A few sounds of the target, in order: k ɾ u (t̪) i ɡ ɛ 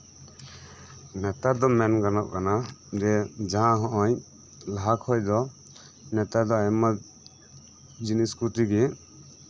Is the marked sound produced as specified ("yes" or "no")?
yes